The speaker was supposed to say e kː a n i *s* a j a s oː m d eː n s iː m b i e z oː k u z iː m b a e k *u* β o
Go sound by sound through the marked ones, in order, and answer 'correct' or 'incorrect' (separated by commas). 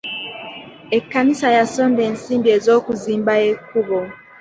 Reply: correct, correct